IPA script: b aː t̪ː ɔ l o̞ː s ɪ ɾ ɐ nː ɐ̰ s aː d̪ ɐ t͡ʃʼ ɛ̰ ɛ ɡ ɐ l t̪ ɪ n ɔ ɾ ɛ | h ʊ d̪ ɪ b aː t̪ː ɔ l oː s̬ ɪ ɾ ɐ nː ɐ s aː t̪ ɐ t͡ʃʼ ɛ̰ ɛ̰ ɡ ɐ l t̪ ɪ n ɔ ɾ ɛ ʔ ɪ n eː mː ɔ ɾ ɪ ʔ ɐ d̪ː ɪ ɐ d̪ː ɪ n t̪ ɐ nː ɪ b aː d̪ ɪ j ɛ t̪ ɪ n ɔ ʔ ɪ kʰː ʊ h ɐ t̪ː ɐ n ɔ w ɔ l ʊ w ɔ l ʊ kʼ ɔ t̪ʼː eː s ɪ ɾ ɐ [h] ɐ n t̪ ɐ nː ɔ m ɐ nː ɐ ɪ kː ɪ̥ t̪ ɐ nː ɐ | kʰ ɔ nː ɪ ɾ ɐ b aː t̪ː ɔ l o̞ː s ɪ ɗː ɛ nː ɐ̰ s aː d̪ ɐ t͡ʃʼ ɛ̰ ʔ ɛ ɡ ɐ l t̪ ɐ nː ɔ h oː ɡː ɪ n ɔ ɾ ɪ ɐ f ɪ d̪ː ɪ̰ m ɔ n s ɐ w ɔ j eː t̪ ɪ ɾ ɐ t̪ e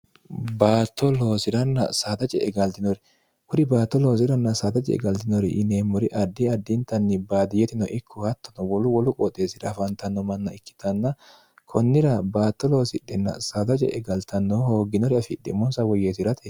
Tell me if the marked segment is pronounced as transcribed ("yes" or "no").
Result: no